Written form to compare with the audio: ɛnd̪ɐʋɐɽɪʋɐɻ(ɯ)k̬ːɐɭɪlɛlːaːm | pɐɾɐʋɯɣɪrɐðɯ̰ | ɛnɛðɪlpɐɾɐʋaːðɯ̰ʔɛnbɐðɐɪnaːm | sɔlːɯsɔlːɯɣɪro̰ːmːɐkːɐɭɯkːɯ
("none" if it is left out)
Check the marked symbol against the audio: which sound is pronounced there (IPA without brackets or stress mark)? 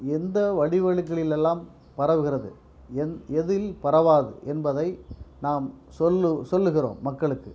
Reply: ɯ